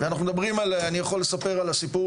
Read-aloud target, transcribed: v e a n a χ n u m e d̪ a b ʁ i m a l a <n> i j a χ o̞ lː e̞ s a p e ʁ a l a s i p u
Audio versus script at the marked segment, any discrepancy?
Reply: no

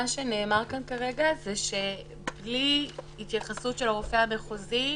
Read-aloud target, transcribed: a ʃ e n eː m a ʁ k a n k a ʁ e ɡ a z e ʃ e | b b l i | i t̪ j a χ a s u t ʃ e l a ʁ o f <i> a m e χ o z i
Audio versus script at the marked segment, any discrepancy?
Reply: yes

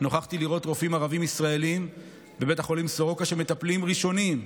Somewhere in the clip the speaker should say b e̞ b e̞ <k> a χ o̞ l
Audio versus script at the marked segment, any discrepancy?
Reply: yes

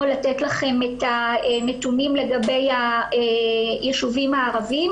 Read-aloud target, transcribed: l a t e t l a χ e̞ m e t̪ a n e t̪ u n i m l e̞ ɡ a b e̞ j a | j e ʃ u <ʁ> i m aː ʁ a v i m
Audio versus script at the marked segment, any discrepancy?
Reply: yes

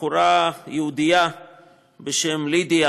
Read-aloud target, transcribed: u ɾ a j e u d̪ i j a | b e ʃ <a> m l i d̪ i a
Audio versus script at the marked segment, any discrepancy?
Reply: yes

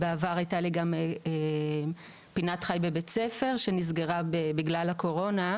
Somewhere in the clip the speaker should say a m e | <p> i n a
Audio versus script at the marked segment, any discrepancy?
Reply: no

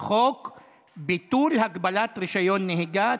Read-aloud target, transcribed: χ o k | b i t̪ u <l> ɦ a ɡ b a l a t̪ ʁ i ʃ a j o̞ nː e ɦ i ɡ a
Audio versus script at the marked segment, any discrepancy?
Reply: no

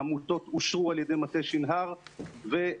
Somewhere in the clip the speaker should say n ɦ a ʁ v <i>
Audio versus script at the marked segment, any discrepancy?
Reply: yes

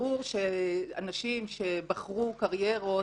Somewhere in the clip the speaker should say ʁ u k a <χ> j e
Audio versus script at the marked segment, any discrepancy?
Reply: yes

